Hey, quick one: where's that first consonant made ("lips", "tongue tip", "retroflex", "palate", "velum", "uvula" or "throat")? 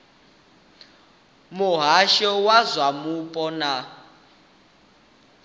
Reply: lips